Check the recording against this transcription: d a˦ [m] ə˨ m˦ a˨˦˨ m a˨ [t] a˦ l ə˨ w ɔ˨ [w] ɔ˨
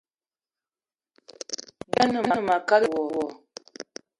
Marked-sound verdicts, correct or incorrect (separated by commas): incorrect, incorrect, correct